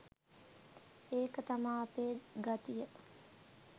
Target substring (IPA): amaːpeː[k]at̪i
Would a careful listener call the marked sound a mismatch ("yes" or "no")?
yes